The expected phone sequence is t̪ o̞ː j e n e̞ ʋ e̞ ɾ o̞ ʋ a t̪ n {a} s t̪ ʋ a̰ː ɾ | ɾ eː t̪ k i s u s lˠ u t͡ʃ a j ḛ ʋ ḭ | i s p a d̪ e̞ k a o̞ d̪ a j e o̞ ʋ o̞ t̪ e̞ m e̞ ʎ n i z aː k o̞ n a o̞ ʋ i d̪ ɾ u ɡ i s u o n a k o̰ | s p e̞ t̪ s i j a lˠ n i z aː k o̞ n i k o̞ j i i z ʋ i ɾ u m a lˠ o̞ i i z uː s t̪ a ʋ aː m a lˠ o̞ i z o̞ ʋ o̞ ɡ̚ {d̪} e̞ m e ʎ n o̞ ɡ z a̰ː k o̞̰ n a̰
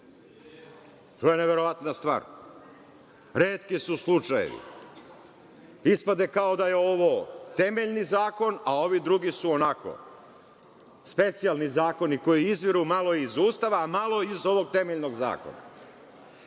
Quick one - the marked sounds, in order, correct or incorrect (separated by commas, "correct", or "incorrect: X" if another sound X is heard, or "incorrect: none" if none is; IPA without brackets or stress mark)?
correct, incorrect: t̪